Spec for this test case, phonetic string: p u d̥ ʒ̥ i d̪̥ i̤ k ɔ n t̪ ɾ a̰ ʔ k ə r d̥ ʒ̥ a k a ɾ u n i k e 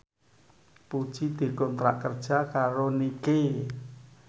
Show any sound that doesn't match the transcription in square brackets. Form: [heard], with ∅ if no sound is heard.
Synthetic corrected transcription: p u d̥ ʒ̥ i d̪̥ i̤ k ɔ n t̪ ɾ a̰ ʔ k ə r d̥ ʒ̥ a k a ɾ [o] n i k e